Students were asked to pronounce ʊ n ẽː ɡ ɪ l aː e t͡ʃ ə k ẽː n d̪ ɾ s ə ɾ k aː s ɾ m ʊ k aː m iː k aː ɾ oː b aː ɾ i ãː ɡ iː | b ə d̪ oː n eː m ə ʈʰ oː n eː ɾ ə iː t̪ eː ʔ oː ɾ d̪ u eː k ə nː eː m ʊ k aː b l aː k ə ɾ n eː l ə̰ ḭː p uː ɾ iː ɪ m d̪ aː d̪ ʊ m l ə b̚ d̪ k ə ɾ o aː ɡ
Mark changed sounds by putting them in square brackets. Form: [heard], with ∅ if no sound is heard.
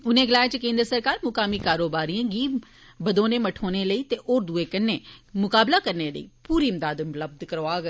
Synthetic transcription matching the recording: ʊ n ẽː ɡ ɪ l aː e t͡ʃ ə k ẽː n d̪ ɾ s ə ɾ k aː [∅] ɾ m ʊ k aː m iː k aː ɾ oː b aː ɾ i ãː ɡ iː | b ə d̪ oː n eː m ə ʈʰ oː n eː [l] ə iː t̪ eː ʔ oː ɾ d̪ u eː k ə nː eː m ʊ k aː b l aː k ə ɾ n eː l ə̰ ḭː p uː ɾ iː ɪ m d̪ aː d̪ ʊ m l ə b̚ d̪ k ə ɾ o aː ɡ